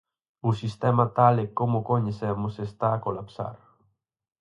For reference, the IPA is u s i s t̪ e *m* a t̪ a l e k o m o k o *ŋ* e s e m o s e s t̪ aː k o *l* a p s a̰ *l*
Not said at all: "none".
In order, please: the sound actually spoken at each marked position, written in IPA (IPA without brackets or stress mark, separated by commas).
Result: m, ɲ, l, ɾ